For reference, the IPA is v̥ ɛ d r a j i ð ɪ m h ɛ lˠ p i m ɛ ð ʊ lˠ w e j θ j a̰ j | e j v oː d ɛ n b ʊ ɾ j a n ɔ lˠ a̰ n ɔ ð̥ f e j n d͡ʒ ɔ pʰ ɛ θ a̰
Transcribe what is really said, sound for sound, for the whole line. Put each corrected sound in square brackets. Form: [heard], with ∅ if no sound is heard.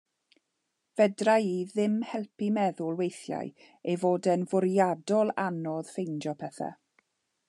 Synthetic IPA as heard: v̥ ɛ d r a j i ð ɪ m h ɛ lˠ p i m ɛ ð ʊ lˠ w e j θ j a̰ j | e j v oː d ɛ n [v] ʊ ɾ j a [d] ɔ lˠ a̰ n ɔ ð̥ f e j n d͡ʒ ɔ pʰ ɛ θ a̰